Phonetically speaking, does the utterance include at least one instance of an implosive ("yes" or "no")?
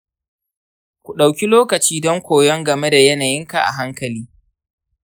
yes